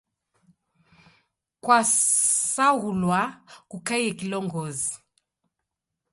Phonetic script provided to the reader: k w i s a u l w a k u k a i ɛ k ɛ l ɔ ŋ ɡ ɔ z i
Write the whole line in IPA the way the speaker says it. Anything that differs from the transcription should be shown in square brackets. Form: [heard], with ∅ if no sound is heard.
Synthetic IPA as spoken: k w [a] s a u l w a k u k a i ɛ k [i] l ɔ ŋ ɡ ɔ z i